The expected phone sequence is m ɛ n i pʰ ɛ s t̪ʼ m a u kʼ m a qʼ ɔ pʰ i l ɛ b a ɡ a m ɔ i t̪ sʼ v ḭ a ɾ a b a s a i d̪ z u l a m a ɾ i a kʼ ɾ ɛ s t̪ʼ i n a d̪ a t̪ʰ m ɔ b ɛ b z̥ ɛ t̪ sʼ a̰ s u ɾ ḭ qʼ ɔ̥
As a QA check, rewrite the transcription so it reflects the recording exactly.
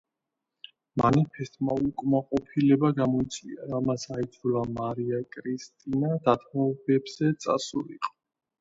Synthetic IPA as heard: m a n i pʰ ɛ s t̪ʼ m a u kʼ m a qʼ ɔ pʰ i l ɛ b a ɡ a m ɔ i t̪ sʼ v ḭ a ɾ a m a s a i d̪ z u l a m a ɾ i a kʼ ɾ i s t̪ʼ i n a d̪ a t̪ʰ m ɔ b ɛ b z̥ ɛ t̪ sʼ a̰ s u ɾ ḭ qʼ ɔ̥